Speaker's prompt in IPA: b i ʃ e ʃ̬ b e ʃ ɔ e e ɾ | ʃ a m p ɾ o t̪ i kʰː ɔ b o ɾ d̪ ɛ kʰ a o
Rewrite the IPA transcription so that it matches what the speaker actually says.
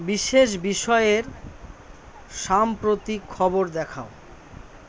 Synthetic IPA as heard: b i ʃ e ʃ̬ b i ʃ ɔ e e ɾ | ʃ a m p ɾ o t̪ i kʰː ɔ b o ɾ d̪ ɛ kʰ a o